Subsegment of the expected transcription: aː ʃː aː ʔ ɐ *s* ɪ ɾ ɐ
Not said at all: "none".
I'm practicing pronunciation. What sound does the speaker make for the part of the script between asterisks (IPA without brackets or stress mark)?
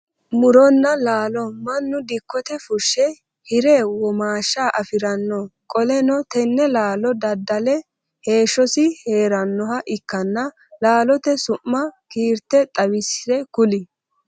f